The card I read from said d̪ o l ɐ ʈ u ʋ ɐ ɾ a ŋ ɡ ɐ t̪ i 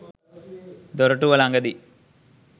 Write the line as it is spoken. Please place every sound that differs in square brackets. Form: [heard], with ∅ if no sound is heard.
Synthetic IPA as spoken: d̪ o [ɾ] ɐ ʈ u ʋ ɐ [l] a ŋ ɡ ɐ [d̪] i